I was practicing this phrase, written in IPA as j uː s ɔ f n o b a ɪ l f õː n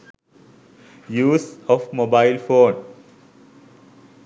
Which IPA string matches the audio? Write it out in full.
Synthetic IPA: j uː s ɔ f m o b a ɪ l f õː n